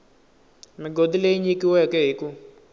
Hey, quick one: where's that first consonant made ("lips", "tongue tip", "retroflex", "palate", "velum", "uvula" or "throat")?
lips